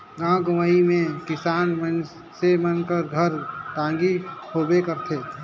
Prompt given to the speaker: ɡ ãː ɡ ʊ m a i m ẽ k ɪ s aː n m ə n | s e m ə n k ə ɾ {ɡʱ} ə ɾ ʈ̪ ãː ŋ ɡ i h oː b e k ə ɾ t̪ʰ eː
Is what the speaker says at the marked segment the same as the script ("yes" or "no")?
yes